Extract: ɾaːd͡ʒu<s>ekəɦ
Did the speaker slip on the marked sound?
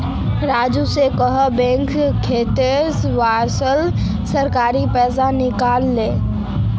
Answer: no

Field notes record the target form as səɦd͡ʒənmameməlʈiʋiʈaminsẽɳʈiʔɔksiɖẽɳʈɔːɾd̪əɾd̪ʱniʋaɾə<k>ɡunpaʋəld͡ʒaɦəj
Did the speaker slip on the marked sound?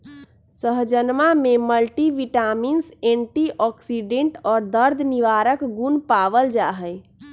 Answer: no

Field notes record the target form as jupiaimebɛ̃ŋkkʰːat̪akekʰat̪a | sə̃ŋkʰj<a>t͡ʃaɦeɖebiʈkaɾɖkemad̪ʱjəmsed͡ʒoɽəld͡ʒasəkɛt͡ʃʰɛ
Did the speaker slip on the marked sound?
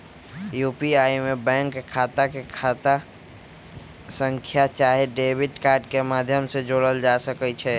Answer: no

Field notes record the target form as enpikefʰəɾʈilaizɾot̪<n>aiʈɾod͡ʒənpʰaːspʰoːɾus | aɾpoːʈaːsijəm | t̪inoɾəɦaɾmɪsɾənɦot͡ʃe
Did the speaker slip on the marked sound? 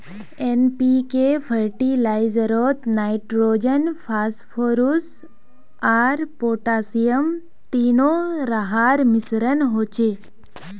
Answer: no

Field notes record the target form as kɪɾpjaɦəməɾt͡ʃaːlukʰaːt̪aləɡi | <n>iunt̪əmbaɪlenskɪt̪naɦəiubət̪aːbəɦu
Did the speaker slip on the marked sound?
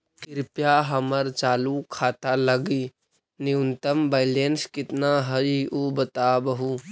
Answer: no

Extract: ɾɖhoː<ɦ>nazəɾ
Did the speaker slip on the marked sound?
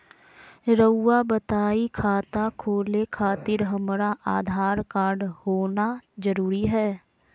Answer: yes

